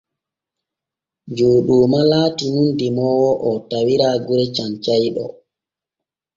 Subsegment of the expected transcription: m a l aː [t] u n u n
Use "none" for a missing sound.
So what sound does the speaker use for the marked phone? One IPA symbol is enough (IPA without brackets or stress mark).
t